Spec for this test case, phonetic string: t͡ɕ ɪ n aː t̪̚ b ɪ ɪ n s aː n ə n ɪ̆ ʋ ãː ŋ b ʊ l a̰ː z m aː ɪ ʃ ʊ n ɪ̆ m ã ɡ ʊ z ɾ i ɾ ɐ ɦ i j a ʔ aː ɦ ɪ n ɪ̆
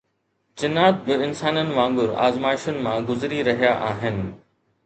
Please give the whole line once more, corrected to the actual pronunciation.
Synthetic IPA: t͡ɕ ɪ n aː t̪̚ b ɪ ɪ n s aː n ə n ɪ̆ ʋ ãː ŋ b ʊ ɾ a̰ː z m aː ɪ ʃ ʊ n ɪ̆ m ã ɡ ʊ z ɾ i ɾ ɐ ɦ i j a ʔ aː ɦ ɪ n ɪ̆